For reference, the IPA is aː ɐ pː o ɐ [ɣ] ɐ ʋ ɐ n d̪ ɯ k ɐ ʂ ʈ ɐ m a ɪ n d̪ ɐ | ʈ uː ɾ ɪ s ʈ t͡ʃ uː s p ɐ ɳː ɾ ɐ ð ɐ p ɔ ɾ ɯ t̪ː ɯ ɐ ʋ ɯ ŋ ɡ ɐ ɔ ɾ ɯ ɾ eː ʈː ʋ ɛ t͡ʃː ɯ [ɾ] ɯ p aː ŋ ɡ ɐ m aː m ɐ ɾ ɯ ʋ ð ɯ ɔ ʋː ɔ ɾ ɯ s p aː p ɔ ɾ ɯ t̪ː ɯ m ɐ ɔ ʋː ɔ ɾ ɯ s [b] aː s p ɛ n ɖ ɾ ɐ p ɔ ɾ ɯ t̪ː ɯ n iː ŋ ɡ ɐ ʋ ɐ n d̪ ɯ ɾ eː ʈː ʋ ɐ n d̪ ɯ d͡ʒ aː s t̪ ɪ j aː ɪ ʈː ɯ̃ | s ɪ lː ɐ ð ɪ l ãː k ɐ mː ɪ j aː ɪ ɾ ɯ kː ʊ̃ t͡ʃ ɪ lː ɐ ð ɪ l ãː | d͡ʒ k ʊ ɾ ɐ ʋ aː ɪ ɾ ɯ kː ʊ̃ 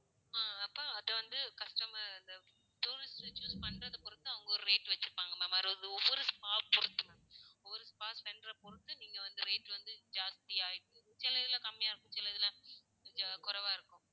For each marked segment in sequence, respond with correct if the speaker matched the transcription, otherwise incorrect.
incorrect, correct, incorrect

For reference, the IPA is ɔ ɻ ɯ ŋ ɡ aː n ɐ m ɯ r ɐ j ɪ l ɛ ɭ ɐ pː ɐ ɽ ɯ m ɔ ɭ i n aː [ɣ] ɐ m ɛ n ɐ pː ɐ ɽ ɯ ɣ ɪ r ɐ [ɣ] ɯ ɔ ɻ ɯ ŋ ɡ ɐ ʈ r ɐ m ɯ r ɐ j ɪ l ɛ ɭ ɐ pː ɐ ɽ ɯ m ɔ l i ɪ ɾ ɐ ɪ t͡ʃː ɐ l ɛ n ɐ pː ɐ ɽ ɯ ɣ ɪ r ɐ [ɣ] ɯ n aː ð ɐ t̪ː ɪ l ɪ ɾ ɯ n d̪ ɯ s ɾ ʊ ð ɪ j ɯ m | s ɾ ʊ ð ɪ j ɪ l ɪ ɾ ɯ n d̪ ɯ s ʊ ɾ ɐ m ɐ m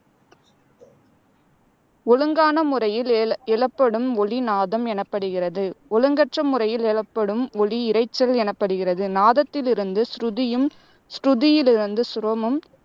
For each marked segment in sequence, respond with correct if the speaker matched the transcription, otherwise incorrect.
incorrect, incorrect, incorrect

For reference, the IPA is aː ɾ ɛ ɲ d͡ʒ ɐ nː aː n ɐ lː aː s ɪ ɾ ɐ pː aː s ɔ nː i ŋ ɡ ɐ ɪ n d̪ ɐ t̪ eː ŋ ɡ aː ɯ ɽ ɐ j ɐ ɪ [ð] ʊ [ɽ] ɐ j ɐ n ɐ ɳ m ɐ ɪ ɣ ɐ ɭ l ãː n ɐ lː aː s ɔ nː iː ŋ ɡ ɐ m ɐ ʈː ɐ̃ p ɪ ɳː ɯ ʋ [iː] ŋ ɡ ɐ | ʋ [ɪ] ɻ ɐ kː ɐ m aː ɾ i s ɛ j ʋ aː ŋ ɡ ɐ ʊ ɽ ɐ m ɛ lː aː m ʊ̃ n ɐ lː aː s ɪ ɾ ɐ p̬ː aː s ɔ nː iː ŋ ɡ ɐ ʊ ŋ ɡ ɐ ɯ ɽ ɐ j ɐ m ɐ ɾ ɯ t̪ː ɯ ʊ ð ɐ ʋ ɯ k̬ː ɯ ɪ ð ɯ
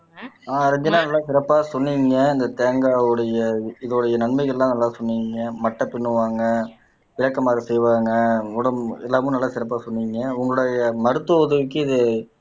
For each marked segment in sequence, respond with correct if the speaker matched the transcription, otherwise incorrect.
correct, correct, incorrect, correct

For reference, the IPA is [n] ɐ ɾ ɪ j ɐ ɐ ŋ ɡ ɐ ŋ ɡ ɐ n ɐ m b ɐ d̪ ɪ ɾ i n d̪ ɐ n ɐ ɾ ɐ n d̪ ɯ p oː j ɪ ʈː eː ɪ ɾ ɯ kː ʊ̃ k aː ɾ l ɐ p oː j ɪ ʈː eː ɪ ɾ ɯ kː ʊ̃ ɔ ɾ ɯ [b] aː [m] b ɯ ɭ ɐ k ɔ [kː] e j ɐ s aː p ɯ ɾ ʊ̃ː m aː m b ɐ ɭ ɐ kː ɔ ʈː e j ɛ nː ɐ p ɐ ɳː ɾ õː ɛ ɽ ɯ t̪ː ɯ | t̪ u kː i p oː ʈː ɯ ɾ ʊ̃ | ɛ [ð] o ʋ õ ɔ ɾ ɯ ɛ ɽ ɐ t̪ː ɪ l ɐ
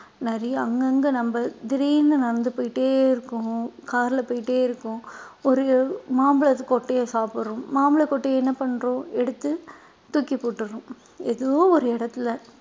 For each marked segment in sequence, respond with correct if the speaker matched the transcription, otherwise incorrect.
correct, incorrect, correct, incorrect, correct

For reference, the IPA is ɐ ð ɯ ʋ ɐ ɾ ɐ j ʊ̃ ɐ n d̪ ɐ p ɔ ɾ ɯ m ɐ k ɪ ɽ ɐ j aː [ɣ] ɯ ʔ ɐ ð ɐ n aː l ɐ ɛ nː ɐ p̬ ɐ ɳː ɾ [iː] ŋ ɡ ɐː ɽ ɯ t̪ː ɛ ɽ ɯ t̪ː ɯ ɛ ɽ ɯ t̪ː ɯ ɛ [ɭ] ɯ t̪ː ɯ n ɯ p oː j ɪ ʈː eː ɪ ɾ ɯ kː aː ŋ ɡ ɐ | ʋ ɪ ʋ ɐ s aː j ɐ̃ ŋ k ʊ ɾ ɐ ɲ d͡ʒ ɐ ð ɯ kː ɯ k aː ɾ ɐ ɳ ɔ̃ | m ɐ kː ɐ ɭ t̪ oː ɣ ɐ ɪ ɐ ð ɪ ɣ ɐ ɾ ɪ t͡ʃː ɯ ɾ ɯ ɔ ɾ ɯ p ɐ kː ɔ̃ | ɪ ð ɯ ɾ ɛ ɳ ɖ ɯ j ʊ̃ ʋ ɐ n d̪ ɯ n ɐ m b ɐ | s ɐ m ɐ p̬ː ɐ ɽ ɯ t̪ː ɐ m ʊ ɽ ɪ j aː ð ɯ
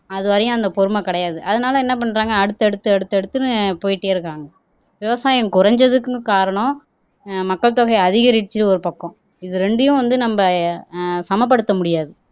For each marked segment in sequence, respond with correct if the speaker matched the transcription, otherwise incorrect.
incorrect, incorrect, incorrect

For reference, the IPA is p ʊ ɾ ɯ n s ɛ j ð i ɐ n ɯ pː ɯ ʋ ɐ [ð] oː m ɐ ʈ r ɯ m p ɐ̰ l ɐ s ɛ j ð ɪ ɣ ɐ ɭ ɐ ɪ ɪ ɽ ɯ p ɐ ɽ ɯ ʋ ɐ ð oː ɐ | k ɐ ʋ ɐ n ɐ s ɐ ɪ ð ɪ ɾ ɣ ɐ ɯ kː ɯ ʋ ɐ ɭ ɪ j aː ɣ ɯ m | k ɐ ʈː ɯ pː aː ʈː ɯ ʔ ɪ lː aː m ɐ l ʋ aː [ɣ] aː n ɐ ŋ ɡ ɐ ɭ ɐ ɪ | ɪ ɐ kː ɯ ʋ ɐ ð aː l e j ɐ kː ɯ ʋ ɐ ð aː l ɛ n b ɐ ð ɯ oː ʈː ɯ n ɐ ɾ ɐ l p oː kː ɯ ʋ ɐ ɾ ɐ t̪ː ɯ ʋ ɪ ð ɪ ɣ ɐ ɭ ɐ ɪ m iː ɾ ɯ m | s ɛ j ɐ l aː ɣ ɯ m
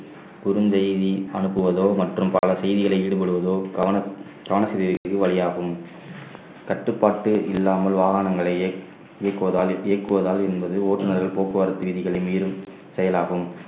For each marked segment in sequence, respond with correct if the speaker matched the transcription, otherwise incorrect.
correct, correct

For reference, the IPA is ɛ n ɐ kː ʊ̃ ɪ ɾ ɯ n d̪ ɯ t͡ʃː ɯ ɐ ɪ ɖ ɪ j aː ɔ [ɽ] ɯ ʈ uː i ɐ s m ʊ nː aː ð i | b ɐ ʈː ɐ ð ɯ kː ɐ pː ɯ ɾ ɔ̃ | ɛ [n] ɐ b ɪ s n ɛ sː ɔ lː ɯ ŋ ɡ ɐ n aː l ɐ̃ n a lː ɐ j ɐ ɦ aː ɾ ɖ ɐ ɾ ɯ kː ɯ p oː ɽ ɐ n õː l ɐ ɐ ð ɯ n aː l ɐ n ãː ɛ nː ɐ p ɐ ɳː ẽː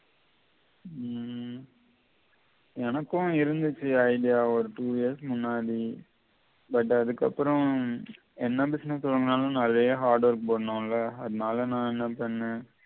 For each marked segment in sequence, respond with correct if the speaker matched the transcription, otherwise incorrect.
incorrect, incorrect

